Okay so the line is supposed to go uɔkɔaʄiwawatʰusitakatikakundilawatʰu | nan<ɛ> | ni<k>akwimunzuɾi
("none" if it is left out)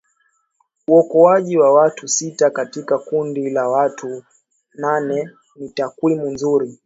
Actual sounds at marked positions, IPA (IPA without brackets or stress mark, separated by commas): ɛ, t